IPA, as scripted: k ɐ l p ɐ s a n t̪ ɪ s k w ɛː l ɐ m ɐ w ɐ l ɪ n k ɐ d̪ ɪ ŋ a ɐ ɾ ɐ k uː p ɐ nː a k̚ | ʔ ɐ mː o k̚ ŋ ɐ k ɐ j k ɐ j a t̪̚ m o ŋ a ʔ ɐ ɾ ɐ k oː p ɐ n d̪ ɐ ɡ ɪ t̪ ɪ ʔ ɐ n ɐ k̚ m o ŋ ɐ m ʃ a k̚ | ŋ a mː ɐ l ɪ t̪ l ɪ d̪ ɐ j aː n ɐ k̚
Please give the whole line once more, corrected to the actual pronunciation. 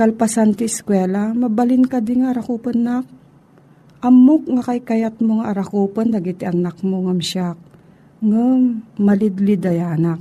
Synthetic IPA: k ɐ l p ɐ s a n t̪ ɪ s k w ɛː l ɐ m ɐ b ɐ l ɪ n k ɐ d̪ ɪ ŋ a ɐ ɾ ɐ k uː p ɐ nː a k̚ | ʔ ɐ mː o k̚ ŋ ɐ k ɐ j k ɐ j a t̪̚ m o ŋ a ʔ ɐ ɾ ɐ k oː p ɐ n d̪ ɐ ɡ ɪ t̪ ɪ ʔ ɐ n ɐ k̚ m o ŋ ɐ m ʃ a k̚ | ŋ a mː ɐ l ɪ d̪ l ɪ d̪ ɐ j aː n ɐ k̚